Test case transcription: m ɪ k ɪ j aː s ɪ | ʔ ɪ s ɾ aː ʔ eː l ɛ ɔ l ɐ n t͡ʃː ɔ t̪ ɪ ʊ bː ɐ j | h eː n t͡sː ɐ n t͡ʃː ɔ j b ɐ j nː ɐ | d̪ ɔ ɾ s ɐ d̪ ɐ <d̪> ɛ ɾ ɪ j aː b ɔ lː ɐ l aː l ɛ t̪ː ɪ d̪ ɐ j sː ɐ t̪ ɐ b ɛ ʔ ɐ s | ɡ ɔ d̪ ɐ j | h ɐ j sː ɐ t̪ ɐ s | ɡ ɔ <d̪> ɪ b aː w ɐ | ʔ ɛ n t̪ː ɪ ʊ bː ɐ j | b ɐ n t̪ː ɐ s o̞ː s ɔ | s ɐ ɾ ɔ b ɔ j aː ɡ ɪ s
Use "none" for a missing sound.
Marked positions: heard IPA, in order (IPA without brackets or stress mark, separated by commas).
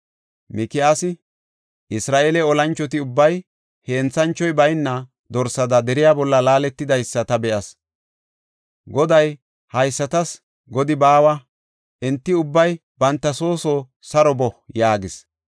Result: d̪, d̪